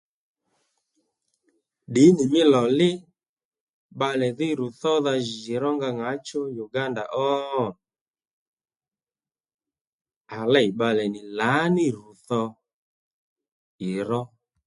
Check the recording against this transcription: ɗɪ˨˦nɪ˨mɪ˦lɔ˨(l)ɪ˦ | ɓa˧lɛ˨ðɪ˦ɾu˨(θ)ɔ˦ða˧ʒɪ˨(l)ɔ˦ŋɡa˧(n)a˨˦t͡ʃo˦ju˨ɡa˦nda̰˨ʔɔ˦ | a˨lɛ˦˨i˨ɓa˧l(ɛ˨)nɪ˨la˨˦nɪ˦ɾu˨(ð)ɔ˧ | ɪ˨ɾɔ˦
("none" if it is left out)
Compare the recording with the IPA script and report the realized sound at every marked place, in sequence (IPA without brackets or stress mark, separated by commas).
l, θ, ɾ, ŋ, ɛ˨, θ